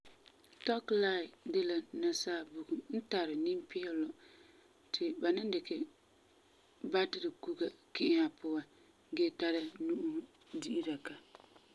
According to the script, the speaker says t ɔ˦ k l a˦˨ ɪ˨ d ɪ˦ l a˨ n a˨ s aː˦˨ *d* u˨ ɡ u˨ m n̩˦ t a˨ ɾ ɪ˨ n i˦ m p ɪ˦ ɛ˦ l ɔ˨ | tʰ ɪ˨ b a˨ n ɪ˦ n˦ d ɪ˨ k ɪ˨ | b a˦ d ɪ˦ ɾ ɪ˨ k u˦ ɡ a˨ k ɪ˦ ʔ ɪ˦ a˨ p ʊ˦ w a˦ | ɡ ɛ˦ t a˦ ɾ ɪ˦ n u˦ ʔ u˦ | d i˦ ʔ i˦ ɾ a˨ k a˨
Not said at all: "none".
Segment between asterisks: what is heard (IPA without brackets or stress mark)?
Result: b